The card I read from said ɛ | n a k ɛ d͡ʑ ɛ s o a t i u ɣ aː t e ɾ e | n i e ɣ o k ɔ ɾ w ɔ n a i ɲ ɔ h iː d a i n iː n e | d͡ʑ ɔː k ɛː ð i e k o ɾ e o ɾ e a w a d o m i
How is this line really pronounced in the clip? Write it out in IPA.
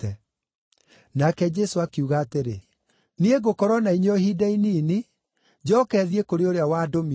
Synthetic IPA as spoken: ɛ | n a k ɛ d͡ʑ ɛ s o a k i u ɣ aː t e ɾ e | n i e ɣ o k ɔ ɾ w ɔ n a i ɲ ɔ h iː d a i n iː n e | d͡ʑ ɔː k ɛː ð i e k o ɾ e o ɾ e a w a d o m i